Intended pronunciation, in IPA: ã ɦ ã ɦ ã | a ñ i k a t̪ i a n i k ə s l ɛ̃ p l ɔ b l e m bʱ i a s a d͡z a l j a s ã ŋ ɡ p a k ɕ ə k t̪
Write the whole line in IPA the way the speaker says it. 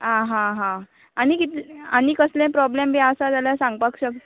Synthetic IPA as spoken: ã ɦ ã ɦ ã | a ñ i k i t̪ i a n i k ə s l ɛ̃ p ɾ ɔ b l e m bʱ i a s a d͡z a l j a s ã ŋ ɡ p a k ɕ ə k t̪